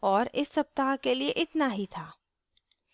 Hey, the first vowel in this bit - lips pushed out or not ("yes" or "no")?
yes